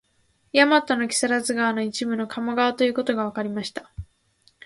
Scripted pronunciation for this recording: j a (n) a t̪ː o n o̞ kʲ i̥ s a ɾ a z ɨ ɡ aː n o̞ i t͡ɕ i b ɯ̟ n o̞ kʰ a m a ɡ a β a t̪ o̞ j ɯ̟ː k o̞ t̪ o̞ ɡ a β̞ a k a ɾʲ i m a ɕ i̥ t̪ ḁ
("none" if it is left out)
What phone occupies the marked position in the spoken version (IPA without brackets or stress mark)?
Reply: m